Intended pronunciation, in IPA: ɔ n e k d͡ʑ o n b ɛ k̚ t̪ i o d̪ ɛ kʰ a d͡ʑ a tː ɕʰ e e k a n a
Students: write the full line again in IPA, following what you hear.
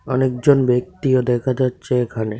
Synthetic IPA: ɔ n e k d͡ʑ o n b e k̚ t̪ i o d̪ ɛ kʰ a d͡ʑ a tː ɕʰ e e kʰ a n e